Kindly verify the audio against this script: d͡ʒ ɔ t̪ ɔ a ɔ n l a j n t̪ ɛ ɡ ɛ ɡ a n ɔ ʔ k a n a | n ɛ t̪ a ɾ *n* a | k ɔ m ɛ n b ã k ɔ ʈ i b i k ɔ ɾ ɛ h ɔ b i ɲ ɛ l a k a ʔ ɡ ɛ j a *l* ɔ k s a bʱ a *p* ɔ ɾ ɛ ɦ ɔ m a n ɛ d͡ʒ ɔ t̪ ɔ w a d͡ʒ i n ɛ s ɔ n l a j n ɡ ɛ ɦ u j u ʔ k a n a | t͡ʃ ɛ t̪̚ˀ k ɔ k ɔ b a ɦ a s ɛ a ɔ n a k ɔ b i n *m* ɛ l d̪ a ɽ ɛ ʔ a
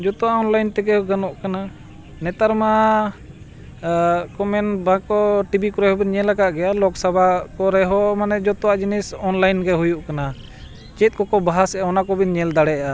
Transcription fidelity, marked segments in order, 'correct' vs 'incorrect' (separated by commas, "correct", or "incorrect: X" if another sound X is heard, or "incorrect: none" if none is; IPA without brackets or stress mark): incorrect: m, correct, incorrect: k, incorrect: ɲ